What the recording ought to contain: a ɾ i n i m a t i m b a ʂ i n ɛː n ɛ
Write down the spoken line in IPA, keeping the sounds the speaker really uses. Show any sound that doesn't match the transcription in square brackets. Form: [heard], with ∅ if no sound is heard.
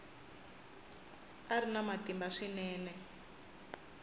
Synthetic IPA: a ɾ i n [a] m a t i m b a ʂ i n ɛː n ɛ